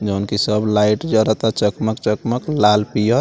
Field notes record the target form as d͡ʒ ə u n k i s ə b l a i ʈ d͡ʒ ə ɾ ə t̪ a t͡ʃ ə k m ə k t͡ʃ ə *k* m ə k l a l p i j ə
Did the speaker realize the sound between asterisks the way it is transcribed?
yes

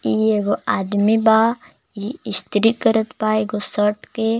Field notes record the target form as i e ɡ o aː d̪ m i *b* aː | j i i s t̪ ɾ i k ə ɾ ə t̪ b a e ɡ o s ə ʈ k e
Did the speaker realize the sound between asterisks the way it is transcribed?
yes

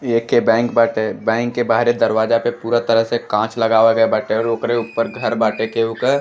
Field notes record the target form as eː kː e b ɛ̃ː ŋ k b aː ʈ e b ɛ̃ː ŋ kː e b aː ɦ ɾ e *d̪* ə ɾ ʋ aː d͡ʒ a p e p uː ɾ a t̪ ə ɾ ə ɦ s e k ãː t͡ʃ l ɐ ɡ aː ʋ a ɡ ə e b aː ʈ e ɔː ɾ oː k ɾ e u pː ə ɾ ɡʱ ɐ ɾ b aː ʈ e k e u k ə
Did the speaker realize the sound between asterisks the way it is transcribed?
yes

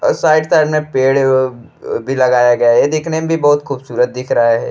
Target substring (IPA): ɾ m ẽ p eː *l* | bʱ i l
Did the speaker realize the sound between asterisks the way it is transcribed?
no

